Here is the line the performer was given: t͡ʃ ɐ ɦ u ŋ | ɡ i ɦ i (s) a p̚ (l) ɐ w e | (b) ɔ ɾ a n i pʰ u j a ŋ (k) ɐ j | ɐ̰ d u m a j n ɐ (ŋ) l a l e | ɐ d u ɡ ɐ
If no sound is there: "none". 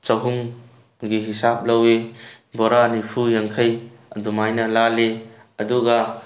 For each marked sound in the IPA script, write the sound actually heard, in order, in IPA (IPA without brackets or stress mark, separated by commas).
s, l, b, kʰ, none